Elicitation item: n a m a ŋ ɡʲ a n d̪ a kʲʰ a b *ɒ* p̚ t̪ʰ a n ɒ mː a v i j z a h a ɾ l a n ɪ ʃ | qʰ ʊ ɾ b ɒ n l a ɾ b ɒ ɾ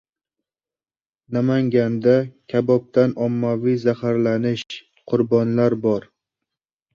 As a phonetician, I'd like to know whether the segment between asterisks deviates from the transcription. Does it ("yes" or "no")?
no